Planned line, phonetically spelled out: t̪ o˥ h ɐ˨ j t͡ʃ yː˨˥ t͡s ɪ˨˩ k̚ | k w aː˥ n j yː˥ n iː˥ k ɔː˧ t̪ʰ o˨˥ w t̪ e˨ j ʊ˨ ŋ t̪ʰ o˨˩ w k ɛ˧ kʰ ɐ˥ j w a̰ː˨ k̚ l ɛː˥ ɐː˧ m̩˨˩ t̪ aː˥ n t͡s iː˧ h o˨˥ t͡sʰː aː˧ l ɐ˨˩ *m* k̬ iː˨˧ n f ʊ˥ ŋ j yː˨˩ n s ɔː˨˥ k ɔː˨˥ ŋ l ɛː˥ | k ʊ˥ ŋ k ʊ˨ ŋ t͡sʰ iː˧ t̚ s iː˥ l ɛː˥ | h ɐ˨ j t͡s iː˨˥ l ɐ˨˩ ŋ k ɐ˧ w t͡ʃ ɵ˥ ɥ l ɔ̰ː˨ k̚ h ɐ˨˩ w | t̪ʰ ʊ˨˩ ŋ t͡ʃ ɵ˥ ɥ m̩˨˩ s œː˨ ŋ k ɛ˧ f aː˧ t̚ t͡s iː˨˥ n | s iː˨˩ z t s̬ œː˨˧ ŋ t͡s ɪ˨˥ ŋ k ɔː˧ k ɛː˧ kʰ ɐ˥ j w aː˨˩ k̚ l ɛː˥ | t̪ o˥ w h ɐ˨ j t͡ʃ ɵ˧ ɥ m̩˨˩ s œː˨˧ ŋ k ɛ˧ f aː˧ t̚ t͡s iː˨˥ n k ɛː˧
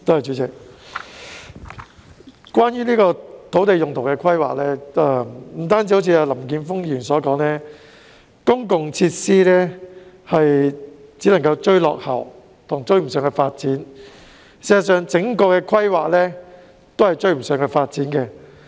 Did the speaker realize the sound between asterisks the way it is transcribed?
yes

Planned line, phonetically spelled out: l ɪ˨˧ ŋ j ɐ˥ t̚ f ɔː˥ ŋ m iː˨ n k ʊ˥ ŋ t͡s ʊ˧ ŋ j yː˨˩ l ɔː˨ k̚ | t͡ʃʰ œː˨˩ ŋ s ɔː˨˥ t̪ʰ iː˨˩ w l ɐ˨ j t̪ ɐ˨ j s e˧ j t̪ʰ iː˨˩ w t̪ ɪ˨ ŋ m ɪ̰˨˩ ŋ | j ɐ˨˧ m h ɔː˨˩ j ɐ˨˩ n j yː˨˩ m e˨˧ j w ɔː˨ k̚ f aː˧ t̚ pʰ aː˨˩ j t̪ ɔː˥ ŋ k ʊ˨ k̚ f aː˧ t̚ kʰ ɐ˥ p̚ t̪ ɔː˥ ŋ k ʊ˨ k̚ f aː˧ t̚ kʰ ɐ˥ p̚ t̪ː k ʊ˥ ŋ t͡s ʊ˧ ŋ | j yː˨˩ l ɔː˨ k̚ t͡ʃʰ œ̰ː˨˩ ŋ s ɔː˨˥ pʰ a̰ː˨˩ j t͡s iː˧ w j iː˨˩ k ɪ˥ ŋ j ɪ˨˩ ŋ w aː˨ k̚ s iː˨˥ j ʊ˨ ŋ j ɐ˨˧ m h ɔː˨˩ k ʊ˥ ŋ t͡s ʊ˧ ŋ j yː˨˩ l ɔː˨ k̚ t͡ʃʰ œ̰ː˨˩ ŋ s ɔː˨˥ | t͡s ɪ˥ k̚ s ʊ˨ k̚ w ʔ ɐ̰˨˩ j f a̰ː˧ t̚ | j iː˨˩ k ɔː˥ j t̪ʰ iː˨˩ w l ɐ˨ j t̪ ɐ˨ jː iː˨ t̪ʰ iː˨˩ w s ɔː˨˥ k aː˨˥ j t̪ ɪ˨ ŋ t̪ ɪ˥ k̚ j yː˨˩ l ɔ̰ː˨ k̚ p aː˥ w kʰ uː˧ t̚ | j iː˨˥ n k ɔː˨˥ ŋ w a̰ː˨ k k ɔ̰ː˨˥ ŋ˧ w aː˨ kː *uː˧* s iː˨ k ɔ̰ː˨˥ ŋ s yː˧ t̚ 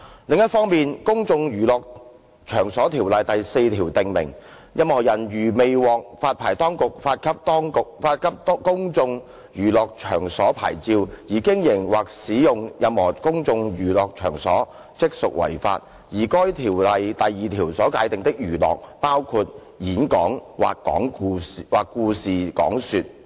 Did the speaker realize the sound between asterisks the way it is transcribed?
yes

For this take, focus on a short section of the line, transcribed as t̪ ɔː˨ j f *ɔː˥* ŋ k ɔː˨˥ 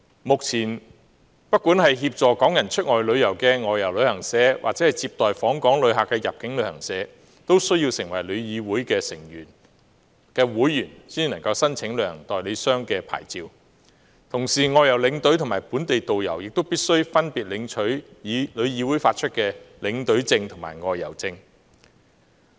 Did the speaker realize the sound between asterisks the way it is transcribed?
no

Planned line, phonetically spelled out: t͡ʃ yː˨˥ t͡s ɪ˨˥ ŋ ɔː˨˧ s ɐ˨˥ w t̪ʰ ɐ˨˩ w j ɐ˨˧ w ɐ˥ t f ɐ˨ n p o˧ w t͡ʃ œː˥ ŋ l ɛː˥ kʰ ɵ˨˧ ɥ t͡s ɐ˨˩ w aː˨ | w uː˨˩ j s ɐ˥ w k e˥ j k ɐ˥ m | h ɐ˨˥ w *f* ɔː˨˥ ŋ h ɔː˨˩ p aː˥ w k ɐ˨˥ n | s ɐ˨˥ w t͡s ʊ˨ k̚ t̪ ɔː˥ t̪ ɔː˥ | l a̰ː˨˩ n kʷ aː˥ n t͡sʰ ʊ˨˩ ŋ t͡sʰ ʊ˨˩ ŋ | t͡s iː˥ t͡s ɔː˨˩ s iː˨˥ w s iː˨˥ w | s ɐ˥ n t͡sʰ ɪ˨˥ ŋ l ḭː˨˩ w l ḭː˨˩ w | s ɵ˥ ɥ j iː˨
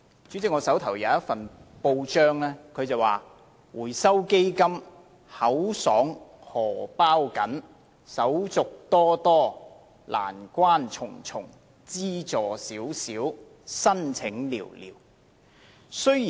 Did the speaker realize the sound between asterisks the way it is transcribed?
no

